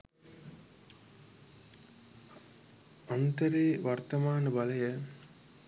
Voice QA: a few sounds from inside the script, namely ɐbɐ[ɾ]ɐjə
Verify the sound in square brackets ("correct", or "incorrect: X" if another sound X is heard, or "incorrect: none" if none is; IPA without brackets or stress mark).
incorrect: l